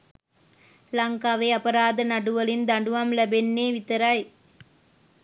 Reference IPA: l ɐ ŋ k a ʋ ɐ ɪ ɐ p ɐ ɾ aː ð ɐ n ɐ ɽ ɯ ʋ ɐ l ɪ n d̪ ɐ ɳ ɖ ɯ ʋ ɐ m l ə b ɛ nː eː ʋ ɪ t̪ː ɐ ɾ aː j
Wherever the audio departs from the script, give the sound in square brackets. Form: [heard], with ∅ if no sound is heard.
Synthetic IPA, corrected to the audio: l ɐ ŋ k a ʋ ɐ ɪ ɐ p ɐ ɾ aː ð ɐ n ɐ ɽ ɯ ʋ ɐ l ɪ n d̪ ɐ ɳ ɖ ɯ ʋ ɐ m l [ɐ] b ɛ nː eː ʋ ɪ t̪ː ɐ ɾ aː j